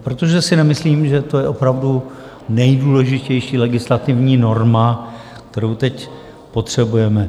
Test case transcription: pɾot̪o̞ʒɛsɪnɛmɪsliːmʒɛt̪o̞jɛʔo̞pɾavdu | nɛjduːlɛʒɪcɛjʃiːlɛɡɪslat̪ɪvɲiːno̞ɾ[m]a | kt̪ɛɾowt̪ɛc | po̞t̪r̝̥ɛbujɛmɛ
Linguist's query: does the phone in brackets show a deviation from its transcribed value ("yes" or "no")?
no